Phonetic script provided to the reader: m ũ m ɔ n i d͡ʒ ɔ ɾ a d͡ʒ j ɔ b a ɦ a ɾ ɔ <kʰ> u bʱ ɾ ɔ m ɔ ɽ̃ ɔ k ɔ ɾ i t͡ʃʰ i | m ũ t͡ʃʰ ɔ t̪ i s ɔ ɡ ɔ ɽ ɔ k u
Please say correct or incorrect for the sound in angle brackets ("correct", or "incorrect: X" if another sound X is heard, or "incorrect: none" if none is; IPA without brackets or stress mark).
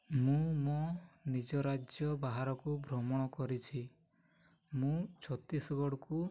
incorrect: k